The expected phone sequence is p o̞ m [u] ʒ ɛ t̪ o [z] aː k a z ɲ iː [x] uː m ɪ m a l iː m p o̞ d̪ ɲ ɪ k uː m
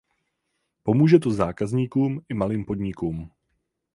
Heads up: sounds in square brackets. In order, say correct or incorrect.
incorrect, correct, incorrect

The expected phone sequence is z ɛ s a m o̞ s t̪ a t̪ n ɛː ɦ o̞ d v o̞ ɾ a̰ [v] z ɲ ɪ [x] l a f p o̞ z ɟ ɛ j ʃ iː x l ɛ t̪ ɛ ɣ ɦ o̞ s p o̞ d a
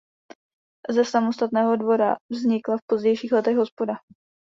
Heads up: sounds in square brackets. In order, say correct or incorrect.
correct, incorrect

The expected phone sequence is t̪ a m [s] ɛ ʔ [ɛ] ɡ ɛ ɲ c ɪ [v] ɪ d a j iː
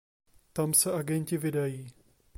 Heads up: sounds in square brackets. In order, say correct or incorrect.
correct, incorrect, correct

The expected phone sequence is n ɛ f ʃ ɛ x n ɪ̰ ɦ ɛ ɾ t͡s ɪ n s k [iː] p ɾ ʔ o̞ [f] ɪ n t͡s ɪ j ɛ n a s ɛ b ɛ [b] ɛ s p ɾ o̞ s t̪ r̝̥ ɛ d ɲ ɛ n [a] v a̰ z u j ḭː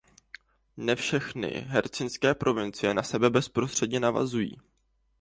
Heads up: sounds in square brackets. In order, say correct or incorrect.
incorrect, incorrect, correct, correct

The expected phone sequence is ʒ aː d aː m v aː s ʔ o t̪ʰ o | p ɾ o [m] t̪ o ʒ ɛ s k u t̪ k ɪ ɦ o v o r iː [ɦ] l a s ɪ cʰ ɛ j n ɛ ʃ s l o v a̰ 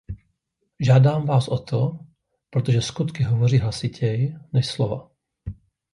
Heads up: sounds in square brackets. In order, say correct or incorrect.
incorrect, correct

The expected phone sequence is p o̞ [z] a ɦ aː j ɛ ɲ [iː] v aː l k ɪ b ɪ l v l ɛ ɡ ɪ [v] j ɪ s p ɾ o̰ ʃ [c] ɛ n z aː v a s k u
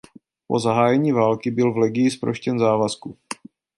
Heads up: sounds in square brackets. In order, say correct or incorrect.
correct, correct, incorrect, correct

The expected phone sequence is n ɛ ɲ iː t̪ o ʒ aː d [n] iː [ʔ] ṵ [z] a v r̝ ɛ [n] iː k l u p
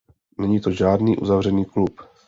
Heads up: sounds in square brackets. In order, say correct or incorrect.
correct, correct, correct, correct

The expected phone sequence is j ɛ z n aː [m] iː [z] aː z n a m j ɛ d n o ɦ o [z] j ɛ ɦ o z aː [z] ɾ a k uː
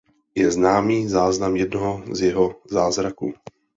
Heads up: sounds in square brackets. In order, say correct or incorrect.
correct, correct, correct, correct

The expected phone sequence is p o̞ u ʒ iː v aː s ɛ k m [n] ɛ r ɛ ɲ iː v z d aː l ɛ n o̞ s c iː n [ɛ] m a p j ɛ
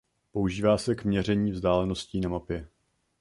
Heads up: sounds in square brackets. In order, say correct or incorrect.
incorrect, incorrect

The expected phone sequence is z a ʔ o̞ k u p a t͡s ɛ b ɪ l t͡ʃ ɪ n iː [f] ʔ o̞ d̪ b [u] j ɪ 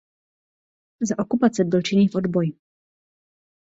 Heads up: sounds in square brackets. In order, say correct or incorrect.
correct, incorrect

